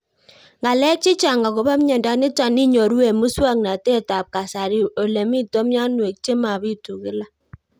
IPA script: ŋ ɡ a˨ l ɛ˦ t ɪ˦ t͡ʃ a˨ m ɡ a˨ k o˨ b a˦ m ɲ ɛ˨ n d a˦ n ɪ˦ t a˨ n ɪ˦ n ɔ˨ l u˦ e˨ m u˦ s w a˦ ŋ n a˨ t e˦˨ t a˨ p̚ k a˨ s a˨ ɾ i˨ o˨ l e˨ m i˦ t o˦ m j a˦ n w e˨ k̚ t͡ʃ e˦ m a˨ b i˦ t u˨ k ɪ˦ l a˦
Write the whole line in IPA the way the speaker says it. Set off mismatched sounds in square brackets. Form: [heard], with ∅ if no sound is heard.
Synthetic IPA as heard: ŋ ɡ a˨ l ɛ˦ [t͡ʃ] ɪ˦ t͡ʃ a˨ [ŋ] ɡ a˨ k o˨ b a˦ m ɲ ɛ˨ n d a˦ n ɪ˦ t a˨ n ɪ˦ [ɲ] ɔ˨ [ɾ] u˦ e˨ m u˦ s w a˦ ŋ n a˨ t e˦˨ t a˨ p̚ k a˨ s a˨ ɾ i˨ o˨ l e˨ m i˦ t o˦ m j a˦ n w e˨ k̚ t͡ʃ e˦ m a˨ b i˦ t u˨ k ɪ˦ l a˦